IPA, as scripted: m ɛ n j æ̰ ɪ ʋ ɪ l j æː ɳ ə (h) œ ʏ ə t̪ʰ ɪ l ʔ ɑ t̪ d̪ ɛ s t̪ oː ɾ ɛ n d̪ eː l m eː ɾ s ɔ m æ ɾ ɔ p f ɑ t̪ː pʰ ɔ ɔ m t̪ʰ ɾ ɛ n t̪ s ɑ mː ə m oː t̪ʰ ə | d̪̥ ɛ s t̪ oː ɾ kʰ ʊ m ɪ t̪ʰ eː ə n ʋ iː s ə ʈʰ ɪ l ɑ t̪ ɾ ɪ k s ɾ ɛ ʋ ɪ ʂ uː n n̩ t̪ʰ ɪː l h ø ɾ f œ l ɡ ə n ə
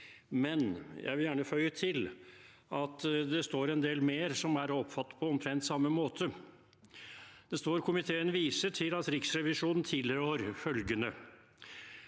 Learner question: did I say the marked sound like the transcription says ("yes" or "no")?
no